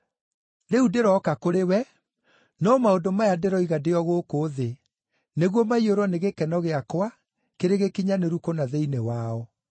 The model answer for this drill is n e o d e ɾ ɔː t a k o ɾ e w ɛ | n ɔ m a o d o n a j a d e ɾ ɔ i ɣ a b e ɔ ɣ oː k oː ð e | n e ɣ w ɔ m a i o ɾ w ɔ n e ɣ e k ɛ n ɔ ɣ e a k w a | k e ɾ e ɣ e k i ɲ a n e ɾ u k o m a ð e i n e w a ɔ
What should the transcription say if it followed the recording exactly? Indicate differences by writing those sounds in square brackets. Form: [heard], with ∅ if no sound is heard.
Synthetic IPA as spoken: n e [u] d e ɾ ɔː [k] a k o ɾ e w ɛ | n ɔ m a o d o [m] a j a d e ɾ ɔ i ɣ a [d] e ɔ ɣ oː k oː ð e | n e ɣ w ɔ m a i o ɾ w ɔ n e ɣ e k ɛ n ɔ ɣ e a k w a | k e ɾ e ɣ e k i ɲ a n e ɾ u k o [n] a ð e i n e w a ɔ